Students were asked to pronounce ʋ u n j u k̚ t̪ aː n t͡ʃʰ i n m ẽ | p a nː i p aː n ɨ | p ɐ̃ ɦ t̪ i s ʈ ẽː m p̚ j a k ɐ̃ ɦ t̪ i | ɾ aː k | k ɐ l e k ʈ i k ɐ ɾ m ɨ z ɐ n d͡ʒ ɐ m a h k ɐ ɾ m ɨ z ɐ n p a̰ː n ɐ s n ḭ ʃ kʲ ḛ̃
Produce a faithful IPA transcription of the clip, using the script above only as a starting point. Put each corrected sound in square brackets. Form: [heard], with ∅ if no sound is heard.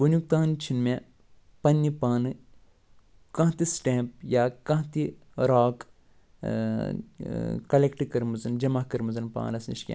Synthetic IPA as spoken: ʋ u n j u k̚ t̪ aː n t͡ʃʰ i n m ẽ | p [ɐ] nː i p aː n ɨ | [k] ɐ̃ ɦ t̪ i s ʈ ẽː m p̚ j a k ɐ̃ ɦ t̪ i | ɾ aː k | k ɐ l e k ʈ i k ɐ ɾ m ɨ z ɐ n d͡ʒ ɐ m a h k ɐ ɾ m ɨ z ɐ n p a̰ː n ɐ s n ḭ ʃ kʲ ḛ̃